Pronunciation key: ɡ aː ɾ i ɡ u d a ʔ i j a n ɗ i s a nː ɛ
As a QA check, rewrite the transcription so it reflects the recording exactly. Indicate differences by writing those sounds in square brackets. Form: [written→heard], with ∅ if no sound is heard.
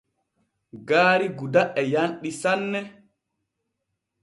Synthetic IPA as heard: ɡ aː ɾ i ɡ u d a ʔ [i→ɛ] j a n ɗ i s a nː ɛ